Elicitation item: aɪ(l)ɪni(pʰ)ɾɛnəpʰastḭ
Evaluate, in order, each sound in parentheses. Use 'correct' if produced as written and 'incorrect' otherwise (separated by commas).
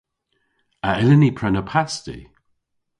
correct, correct